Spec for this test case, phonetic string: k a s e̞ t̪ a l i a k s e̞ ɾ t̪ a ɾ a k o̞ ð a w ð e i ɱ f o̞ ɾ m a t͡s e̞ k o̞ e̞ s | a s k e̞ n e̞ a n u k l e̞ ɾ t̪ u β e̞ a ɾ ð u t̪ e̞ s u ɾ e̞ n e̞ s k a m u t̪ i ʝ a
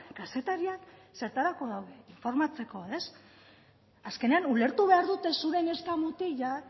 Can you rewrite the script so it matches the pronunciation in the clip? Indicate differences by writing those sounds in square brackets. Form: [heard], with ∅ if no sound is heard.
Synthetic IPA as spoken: k a s e̞ t̪ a [ɾ] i a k s e̞ ɾ t̪ a ɾ a k o̞ ð a w ð e i ɱ f o̞ ɾ m a t͡s e̞ k o̞ e̞ s | a s k e̞ n e̞ a n u [∅] l e̞ ɾ t̪ u β e̞ a ɾ ð u t̪ e̞ s u ɾ e̞ n e̞ s k a m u t̪ i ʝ a